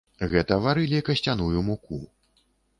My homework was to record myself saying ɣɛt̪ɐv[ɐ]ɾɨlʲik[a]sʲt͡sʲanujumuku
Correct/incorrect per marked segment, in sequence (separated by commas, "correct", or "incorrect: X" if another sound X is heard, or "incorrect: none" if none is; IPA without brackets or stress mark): incorrect: a, incorrect: ɐ